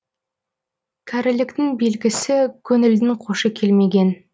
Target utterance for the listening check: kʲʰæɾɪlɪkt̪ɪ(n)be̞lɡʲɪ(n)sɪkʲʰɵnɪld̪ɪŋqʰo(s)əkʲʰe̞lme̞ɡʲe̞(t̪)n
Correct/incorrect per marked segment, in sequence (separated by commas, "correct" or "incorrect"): incorrect, incorrect, incorrect, incorrect